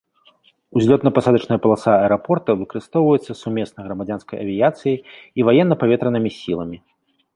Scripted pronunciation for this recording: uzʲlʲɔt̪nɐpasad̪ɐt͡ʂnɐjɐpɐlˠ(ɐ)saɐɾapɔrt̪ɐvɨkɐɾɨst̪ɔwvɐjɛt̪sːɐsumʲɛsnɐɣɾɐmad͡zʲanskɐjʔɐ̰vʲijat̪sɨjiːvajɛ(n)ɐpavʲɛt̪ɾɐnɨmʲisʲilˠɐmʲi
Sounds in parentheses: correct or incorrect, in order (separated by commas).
incorrect, incorrect